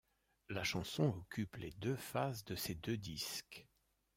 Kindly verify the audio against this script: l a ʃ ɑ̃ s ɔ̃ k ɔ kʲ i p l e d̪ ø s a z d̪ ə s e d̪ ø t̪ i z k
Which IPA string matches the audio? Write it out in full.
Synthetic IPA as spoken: l a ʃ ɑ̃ s ɔ̃ ɔ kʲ y p l e d̪ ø f a z d̪ ə s e d̪ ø d̪ i s k